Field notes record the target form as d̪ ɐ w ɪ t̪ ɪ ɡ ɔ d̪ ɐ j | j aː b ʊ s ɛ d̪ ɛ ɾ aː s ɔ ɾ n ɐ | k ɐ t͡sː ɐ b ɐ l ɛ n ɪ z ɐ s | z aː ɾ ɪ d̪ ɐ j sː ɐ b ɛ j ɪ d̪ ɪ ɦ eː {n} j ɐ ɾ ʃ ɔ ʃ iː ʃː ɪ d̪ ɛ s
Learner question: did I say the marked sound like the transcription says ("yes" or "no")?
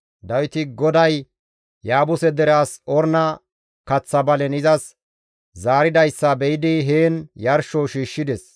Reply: yes